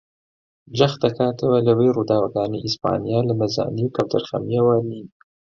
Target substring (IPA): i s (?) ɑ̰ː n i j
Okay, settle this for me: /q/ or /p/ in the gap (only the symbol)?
p